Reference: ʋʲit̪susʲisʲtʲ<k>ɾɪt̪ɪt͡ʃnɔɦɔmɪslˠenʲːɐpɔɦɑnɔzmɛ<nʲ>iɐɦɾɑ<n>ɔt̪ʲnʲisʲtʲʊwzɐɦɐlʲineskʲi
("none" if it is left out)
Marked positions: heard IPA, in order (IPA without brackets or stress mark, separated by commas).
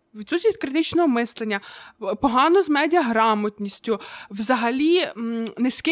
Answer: k, dʲ, m